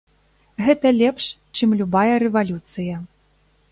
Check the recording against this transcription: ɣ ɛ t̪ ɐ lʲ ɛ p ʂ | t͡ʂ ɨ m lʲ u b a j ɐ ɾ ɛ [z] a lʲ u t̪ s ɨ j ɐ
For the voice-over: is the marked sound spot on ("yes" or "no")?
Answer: no